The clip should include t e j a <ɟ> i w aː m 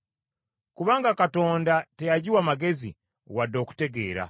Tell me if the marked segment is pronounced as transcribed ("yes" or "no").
yes